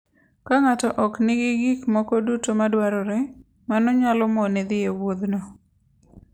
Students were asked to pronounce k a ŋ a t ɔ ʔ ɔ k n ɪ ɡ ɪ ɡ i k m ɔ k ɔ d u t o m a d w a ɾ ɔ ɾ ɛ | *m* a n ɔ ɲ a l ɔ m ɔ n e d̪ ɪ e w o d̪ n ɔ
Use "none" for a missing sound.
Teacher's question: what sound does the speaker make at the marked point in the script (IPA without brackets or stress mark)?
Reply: m